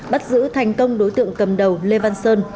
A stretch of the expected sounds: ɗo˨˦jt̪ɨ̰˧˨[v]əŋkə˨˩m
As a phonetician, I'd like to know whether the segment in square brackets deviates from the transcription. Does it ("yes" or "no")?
yes